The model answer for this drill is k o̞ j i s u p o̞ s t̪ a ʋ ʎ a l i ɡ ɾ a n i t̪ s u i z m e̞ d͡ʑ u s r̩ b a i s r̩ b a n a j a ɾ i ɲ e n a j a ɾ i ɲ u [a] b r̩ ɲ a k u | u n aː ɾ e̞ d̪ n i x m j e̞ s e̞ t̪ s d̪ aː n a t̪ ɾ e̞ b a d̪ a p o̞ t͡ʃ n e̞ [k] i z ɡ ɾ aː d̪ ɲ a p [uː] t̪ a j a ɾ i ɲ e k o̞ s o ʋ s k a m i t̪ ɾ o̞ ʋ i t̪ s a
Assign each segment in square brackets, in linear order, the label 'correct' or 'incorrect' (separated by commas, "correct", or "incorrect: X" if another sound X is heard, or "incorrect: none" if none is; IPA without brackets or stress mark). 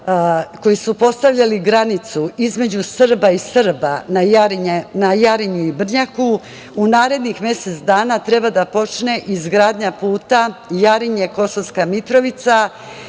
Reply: incorrect: i, incorrect: ʔ, correct